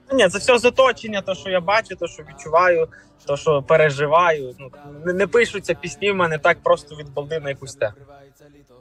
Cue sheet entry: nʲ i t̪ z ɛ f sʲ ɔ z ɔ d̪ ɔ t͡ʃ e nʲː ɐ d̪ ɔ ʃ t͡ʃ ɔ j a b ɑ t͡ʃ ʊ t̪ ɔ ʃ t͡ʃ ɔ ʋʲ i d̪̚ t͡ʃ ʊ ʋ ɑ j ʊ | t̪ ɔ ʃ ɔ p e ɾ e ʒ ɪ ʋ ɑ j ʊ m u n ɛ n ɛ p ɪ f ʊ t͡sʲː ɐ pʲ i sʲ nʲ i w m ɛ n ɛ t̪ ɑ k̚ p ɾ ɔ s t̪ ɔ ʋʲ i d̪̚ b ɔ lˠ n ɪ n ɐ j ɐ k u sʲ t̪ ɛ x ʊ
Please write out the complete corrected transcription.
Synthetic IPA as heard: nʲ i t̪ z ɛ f sʲ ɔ z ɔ t̪ ɔ t͡ʃ e nʲː ɐ t̪ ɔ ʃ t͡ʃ ɔ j a b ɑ t͡ʃ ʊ t̪ ɔ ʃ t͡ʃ ɔ ʋʲ i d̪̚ t͡ʃ ʊ ʋ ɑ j ʊ | t̪ ɔ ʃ ɔ p e ɾ e ʒ ɪ ʋ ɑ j ʊ n u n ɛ n ɛ p ɪ ʃ ʊ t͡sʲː ɐ pʲ i sʲ nʲ i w m ɛ n ɛ t̪ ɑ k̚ p ɾ ɔ s t̪ ɔ ʋʲ i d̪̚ b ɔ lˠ n ɪ n ɐ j ɐ k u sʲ t̪ ɛ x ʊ